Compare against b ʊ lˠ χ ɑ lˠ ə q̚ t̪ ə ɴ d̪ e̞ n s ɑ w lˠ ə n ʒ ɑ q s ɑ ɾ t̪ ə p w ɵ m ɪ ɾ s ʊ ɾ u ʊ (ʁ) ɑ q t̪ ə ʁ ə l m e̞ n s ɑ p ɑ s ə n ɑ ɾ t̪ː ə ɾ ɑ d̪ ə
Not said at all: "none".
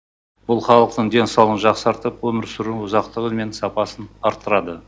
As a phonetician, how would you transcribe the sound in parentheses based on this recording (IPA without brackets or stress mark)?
z